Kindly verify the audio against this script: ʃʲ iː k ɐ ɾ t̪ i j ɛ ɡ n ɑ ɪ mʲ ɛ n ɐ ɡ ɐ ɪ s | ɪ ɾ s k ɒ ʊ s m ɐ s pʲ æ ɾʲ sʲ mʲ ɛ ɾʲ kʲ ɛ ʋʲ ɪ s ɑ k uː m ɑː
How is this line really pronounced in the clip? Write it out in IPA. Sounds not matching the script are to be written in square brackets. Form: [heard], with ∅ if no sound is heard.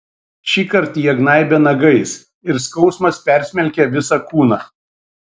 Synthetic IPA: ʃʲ iː k ɐ ɾ t̪ i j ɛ ɡ n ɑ ɪ [bʲ] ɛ n ɐ ɡ ɐ ɪ s | ɪ ɾ s k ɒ ʊ s m ɐ s pʲ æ ɾʲ sʲ mʲ ɛ [lʲ] kʲ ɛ ʋʲ ɪ s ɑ k uː [n] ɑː